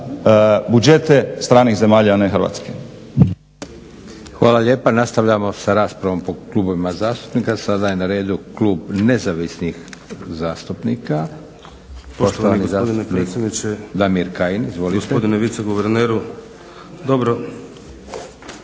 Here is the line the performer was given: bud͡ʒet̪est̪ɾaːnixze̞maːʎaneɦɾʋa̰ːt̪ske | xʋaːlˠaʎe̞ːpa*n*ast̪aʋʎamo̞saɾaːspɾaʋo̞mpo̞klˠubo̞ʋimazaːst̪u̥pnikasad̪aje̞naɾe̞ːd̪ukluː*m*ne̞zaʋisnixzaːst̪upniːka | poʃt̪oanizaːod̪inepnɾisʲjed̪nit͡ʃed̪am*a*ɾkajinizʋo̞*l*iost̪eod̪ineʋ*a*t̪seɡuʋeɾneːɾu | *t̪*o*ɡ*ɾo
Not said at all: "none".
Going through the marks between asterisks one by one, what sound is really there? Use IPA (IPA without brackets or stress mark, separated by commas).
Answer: n, b, i, l, i, d̪, b